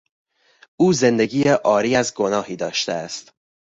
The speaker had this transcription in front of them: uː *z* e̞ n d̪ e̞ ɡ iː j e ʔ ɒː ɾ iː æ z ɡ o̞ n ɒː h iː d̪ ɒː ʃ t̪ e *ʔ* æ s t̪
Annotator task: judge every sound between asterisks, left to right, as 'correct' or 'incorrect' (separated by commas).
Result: correct, incorrect